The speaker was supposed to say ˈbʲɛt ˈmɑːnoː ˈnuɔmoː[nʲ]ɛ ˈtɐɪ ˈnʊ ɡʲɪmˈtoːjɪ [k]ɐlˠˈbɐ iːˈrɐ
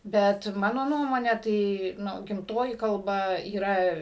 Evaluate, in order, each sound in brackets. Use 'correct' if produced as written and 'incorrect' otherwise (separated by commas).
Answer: correct, correct